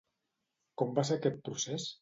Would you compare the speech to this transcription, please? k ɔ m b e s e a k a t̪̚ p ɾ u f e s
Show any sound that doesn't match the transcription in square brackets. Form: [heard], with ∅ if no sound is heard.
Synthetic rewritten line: k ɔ m b [a] s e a k [ɛ] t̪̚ p ɾ u [s] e s